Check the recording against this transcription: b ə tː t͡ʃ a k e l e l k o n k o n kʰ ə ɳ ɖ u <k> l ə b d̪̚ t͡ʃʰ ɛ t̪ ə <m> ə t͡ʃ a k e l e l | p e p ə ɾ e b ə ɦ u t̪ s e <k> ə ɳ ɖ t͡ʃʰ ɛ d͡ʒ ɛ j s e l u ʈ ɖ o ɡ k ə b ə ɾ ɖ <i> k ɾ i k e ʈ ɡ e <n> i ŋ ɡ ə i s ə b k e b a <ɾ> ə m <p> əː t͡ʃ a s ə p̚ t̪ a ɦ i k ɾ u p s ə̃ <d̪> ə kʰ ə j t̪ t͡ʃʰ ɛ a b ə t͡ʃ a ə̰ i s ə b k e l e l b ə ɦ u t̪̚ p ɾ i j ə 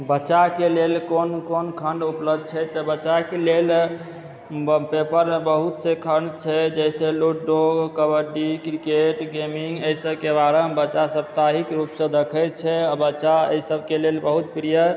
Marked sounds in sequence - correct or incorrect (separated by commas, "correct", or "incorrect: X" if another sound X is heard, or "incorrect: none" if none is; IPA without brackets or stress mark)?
incorrect: p, incorrect: b, incorrect: kʰ, correct, incorrect: m, correct, incorrect: b, correct